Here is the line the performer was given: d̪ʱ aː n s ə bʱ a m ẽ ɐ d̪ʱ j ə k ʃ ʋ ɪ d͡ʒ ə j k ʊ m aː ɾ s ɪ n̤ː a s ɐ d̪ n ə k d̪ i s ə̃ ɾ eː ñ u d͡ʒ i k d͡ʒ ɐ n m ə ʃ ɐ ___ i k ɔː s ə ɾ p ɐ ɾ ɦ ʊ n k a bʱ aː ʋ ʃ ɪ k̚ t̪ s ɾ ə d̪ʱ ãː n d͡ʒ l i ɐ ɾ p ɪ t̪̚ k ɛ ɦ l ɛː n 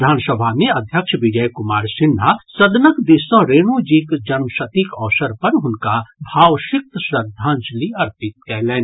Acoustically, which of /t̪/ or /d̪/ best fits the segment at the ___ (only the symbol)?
t̪